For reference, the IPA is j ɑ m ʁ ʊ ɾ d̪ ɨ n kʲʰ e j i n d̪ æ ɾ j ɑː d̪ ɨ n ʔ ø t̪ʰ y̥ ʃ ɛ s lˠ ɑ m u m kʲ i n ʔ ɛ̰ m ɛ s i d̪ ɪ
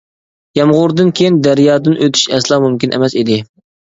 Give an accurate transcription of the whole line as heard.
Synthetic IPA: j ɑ m ʁ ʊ ɾ d̪ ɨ n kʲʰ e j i n d̪ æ ɾ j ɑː d̪ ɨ n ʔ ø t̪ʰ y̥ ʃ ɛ s lˠ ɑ m u m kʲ i n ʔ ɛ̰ m ɛ s i d̪ ɪ